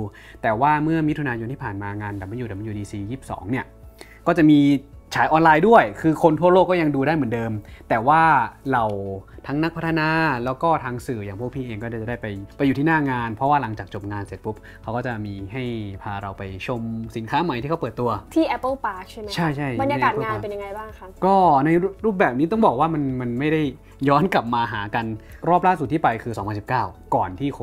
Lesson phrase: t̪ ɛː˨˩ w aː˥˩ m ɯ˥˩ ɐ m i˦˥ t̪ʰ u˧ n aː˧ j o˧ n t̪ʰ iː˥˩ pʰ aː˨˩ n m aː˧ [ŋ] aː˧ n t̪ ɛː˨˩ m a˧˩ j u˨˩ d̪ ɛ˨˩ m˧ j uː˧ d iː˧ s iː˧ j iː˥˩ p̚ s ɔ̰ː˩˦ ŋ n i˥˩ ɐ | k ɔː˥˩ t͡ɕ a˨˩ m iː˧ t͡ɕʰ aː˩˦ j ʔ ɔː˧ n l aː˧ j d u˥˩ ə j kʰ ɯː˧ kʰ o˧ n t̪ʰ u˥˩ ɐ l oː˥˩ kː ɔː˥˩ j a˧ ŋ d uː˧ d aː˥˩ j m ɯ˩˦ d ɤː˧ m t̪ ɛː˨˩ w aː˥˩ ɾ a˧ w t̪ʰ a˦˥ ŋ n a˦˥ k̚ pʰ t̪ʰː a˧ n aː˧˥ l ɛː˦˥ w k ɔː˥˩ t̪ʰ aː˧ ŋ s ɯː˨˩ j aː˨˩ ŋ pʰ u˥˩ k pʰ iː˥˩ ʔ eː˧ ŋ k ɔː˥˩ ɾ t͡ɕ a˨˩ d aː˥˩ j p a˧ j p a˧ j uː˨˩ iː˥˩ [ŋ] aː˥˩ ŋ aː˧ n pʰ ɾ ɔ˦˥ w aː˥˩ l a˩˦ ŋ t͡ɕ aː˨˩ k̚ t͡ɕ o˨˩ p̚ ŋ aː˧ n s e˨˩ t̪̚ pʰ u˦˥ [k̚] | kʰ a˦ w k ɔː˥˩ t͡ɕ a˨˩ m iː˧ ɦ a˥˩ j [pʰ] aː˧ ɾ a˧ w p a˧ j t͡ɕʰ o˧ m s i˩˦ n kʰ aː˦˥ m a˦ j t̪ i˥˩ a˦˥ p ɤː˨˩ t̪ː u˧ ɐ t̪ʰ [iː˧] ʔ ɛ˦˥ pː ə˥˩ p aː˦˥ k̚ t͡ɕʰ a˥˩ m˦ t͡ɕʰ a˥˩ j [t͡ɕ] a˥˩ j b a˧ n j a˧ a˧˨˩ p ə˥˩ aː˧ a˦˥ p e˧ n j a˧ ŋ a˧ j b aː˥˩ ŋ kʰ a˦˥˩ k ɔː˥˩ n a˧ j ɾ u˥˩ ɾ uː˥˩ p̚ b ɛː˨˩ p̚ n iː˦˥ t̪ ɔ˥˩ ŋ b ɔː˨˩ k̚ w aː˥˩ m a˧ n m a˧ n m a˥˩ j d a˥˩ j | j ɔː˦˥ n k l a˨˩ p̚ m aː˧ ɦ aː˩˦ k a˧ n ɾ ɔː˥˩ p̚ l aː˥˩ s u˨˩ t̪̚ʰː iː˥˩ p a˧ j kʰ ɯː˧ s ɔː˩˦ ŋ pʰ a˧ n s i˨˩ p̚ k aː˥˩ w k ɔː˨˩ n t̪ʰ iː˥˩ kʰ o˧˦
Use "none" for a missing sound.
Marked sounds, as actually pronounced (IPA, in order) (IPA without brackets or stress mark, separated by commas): ŋ, n, p̚, pʰ, iː˥˩, t͡ɕʰ